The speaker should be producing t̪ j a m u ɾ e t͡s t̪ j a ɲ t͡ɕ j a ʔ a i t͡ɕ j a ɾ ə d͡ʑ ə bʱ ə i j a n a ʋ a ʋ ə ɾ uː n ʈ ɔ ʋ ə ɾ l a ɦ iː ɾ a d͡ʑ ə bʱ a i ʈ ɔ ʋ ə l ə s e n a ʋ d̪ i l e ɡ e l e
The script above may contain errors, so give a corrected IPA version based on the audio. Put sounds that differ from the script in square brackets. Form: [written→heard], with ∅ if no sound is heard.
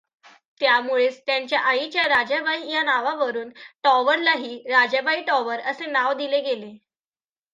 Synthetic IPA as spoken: t̪ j a m u [ɾ→ɭ] e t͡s t̪ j a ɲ t͡ɕ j a ʔ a i t͡ɕ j a ɾ [ə→a] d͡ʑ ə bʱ [ə→a] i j a n a ʋ a ʋ ə ɾ uː n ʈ ɔ ʋ ə ɾ l a ɦ iː ɾ a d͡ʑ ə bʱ a i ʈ ɔ ʋ ə [l→ɾ] ə s e n a ʋ d̪ i l e ɡ e l e